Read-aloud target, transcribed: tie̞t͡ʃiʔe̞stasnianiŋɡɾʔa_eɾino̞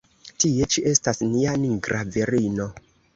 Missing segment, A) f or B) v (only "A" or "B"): B